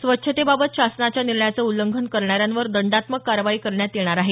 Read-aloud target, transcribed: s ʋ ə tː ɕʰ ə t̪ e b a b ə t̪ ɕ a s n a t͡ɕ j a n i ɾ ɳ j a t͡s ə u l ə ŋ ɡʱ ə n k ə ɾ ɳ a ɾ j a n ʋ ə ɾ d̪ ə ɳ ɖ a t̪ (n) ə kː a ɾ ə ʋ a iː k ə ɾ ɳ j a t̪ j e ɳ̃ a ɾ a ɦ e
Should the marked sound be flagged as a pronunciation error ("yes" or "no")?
yes